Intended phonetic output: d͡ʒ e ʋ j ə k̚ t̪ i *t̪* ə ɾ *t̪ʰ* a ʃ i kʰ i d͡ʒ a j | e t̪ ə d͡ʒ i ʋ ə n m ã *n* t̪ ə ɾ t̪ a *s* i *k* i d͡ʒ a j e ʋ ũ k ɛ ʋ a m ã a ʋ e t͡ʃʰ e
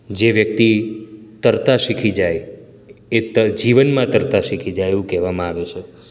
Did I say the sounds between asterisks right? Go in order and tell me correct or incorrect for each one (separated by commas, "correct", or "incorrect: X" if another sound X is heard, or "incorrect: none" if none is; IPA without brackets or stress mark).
correct, incorrect: t̪, incorrect: none, incorrect: ʃ, incorrect: kʰ